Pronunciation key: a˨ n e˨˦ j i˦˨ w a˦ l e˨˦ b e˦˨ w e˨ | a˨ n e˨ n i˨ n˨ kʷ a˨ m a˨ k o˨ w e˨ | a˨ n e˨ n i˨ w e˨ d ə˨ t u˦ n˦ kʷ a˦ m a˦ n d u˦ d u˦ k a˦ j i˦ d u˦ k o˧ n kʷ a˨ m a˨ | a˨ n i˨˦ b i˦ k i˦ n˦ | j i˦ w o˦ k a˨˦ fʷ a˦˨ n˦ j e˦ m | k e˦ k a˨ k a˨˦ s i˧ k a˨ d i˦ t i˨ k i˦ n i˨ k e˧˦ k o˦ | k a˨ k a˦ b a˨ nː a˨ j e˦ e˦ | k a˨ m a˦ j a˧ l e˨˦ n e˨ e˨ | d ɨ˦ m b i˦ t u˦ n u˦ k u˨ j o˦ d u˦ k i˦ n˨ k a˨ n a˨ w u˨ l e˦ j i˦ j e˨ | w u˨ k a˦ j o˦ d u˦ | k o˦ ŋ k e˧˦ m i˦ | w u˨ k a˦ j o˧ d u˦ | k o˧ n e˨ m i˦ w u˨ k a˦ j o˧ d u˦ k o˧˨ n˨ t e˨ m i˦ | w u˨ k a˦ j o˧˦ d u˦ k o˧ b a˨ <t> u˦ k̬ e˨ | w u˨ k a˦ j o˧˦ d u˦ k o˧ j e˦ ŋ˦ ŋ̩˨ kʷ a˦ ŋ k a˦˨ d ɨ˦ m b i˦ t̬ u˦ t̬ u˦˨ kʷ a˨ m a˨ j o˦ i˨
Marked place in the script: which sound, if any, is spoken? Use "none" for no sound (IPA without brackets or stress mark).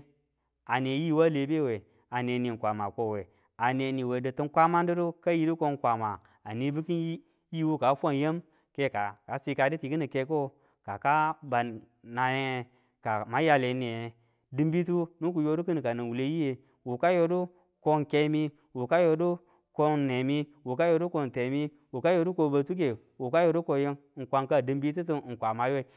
t